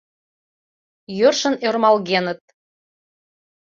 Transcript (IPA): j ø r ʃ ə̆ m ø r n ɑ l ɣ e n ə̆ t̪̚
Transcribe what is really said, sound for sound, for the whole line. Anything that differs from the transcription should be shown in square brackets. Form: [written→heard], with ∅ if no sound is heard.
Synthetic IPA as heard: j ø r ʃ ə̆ [m→n] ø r [n→m] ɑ l ɣ e n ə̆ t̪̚